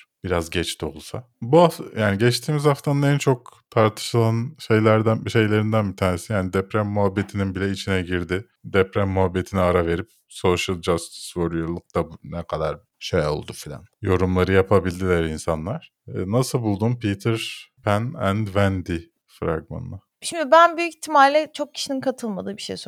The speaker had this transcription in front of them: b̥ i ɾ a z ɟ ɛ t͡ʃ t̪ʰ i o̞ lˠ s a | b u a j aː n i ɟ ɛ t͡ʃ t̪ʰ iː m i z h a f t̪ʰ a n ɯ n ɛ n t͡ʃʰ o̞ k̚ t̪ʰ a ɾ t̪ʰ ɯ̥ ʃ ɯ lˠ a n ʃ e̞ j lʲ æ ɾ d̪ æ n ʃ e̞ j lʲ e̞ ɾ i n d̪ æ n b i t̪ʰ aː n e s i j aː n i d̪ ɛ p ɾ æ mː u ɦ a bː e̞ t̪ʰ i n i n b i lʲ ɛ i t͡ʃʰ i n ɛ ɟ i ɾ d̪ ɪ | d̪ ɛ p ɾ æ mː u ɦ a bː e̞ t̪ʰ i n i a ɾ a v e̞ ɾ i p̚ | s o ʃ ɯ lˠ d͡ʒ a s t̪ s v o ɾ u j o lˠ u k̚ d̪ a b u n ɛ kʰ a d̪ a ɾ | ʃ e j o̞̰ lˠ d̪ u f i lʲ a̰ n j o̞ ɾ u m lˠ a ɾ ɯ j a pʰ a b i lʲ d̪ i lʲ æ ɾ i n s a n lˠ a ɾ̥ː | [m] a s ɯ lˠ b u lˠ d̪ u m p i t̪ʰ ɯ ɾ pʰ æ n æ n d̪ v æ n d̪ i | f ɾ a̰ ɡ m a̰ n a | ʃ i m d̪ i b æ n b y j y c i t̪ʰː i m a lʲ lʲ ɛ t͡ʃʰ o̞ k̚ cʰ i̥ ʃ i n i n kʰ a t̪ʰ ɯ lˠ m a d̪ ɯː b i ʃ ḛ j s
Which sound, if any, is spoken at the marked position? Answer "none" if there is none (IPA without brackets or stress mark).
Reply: n